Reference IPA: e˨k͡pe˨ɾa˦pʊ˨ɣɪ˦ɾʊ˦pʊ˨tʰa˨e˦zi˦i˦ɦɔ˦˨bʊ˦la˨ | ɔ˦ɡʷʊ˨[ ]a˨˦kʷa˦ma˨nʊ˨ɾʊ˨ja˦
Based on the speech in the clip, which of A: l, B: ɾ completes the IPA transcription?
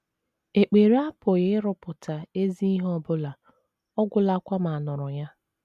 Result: A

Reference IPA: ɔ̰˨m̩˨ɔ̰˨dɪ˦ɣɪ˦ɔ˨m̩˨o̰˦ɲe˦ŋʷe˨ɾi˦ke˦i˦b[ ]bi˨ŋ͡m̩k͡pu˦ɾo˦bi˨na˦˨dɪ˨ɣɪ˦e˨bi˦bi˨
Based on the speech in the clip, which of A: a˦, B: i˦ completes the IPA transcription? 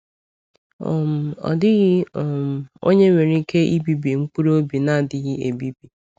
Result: B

